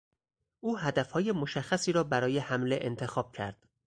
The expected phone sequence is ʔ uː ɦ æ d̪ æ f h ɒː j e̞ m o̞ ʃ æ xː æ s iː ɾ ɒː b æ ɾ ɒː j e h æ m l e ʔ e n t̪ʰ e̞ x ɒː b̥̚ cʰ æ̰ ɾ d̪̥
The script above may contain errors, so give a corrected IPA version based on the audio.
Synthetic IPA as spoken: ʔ uː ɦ æ d̪ æ f h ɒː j e̞ m o̞ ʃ æ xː æ s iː ɾ ɒː b æ ɾ ɒː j e h æ m l e ʔ e n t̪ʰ e̞ x ɒː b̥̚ cʰ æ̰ ɾ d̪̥